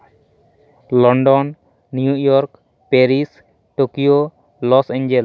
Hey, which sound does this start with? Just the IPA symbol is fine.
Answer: l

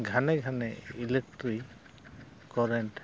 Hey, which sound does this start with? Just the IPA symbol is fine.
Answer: ɡʱ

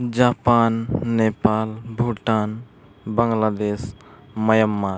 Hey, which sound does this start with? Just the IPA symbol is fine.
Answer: d͡ʒ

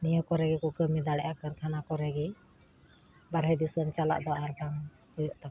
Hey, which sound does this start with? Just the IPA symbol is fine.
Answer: n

